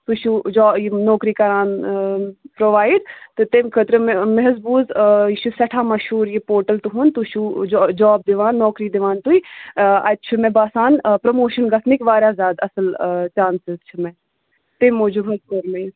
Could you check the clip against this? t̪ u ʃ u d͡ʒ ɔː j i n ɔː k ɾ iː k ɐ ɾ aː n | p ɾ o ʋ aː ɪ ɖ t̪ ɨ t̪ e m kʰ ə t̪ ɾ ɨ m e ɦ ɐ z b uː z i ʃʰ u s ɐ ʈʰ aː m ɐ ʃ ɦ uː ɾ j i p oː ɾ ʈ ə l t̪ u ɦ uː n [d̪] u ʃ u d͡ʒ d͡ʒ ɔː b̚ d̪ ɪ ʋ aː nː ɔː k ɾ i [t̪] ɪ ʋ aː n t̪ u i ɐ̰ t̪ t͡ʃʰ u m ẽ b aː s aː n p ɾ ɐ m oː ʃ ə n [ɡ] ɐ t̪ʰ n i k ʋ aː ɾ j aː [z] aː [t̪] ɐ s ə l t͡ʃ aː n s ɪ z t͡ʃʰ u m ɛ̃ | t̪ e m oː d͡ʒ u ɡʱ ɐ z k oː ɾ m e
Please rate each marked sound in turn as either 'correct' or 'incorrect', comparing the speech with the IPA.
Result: incorrect, incorrect, correct, correct, incorrect

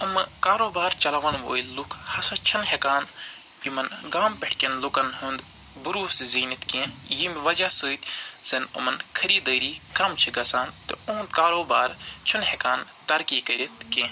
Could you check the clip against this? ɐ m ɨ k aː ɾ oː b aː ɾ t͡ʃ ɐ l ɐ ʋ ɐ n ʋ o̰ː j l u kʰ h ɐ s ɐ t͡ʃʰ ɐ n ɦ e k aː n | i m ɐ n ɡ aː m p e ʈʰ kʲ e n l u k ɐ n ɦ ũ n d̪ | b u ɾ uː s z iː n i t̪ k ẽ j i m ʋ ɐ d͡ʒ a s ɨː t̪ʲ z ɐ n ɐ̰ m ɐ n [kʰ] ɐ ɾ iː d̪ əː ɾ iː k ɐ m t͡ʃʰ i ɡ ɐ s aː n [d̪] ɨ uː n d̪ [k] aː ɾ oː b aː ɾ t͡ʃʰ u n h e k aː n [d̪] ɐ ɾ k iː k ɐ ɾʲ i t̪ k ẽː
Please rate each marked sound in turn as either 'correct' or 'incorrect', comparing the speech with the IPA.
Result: correct, incorrect, correct, incorrect

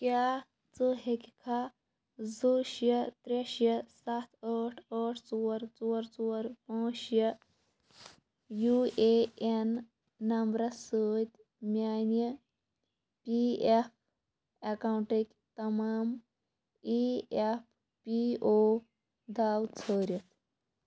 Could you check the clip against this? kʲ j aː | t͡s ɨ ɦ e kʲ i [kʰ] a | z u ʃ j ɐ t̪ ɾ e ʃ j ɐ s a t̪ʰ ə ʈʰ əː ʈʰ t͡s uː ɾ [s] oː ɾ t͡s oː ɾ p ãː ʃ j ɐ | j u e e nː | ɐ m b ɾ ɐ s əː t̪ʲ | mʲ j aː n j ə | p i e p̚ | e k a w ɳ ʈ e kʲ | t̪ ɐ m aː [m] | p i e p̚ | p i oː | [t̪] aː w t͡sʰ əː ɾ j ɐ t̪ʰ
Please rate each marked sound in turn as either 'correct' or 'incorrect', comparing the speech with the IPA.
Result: correct, incorrect, correct, incorrect

